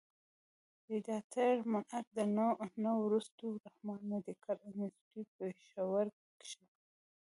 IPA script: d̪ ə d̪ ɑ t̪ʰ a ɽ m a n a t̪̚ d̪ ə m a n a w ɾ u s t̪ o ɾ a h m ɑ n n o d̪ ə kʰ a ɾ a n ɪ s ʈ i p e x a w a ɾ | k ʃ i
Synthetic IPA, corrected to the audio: d̪ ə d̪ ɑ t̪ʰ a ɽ m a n a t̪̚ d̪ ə n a n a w ɾ u s t̪ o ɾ a h m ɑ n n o d̪ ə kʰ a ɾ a n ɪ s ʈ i p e ʃ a w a ɾ | k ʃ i